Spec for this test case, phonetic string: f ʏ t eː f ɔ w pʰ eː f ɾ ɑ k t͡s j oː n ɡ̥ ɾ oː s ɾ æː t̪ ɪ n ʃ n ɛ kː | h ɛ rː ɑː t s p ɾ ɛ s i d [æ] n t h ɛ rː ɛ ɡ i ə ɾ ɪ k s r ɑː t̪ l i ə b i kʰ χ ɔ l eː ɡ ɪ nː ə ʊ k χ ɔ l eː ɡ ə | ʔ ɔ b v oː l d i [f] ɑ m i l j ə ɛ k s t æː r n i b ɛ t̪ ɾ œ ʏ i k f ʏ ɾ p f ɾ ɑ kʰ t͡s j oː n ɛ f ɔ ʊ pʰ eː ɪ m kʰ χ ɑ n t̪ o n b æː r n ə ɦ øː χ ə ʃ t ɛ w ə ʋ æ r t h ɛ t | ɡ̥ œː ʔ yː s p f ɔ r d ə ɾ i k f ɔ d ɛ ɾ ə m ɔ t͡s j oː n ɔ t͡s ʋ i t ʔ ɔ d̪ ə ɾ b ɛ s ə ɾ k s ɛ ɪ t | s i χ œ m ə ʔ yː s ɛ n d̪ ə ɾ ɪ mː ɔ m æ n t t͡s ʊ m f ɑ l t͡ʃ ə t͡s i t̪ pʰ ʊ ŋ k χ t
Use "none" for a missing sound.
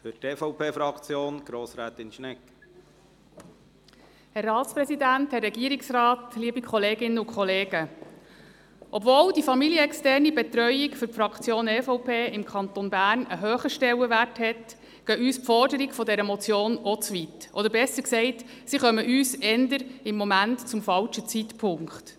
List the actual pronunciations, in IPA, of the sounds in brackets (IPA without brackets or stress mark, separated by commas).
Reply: æ, f